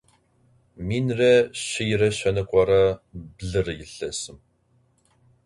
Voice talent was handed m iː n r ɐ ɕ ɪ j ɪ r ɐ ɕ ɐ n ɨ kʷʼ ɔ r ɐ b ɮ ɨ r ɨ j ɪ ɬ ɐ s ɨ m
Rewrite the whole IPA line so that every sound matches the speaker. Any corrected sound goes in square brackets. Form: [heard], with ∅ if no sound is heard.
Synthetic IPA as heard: m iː n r ɐ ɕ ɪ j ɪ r ɐ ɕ ɐ n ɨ kʷʼ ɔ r ɐ b ɮ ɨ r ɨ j ɪ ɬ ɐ s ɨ m